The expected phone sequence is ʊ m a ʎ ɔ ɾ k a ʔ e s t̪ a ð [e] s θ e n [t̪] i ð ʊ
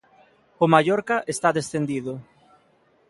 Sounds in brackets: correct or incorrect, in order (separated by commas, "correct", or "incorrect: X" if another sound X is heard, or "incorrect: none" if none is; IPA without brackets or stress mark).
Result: correct, incorrect: d̪